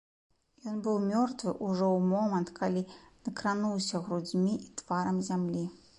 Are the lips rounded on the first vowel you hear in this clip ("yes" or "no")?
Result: yes